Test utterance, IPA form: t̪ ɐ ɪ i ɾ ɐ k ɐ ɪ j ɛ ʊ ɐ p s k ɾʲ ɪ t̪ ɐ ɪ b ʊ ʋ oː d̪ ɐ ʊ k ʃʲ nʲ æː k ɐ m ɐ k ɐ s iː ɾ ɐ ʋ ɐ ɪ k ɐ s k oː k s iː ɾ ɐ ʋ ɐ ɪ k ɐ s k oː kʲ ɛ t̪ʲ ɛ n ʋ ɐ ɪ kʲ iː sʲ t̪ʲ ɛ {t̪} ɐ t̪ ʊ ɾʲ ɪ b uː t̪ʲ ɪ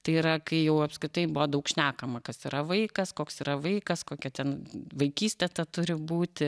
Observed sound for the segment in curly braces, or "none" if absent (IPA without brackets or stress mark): t̪